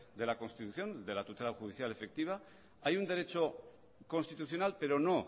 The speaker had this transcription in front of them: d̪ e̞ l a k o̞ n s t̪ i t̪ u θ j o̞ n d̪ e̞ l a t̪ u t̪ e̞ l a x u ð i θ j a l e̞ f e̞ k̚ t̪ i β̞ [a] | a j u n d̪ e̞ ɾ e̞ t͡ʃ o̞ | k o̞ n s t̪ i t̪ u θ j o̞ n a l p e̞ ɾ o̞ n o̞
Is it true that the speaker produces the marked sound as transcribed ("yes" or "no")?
yes